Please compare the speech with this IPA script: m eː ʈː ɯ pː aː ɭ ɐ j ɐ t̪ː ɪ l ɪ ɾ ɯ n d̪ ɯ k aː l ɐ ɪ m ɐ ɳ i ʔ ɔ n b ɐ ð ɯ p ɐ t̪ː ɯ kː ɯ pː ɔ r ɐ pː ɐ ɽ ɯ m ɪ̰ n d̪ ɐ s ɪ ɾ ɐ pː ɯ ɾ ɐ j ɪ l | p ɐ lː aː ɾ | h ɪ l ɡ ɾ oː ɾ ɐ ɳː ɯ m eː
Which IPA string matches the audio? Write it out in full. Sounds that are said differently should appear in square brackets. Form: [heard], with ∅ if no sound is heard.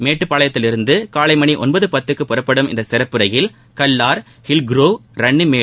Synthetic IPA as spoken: m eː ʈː ɯ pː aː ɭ ɐ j ɐ t̪ː ɪ l ɪ ɾ ɯ n d̪ ɯ k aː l ɐ ɪ m ɐ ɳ i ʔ ɔ n b ɐ ð ɯ p ɐ t̪ː ɯ kː ɯ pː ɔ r ɐ pː ɐ ɽ ɯ m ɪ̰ n d̪ ɐ s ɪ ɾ ɐ pː ɯ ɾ ɐ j ɪ l | [k] ɐ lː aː ɾ | h ɪ l ɡ ɾ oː ɾ ɐ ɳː ɯ m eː